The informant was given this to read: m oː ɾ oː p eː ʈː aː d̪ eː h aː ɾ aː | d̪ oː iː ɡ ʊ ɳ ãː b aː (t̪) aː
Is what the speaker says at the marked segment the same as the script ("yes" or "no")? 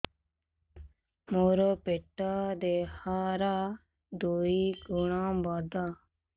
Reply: no